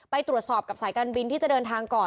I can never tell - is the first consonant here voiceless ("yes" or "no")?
yes